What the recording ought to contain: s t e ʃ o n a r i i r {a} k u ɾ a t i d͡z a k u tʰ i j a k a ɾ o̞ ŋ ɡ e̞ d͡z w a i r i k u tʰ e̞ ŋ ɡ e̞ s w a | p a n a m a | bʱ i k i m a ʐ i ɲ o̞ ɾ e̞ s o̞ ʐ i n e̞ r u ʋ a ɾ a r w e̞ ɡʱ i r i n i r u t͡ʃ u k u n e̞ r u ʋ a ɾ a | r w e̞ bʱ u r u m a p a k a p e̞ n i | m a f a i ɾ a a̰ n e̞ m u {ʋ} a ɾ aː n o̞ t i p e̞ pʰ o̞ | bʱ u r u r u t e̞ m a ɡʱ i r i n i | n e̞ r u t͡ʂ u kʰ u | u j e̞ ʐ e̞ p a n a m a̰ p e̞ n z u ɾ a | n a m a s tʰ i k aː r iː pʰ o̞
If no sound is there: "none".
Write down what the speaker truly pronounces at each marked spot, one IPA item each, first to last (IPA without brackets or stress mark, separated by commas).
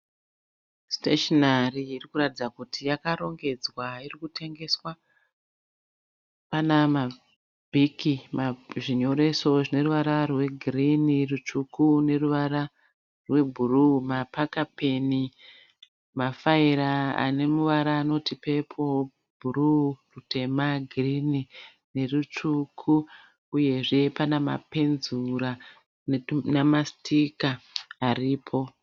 i, ʋ